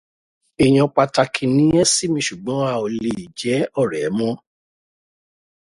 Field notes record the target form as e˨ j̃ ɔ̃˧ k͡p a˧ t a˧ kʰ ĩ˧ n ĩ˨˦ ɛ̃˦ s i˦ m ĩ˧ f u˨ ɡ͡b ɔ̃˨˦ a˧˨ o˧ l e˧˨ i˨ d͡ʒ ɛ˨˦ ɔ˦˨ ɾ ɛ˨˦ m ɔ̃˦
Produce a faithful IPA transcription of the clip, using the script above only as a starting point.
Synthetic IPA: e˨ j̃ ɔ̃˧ k͡p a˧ t a˧ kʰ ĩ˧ n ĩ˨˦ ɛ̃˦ s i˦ m ĩ˧ ʃ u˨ ɡ͡b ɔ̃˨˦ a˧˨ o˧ l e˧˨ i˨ d͡ʒ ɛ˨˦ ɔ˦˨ ɾ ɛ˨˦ m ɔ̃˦